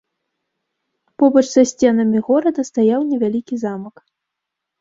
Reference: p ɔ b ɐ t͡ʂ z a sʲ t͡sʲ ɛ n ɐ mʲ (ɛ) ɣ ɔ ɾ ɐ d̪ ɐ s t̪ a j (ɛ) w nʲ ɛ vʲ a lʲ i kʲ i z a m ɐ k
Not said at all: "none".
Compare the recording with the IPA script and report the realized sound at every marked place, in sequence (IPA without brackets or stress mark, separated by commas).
i, a